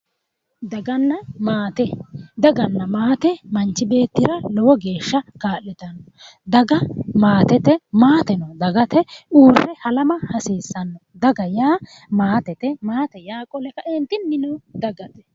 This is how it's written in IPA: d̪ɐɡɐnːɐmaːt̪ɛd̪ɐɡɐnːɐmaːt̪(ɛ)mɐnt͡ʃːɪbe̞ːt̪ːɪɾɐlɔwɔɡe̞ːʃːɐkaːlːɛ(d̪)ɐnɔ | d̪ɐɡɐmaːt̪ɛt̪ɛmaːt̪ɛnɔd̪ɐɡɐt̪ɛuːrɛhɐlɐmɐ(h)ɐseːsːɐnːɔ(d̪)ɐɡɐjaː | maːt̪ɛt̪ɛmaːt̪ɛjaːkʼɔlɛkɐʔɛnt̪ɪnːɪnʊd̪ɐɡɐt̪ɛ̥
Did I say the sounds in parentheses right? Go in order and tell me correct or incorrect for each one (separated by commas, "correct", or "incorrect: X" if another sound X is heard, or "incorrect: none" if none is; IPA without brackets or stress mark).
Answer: correct, incorrect: t̪, correct, correct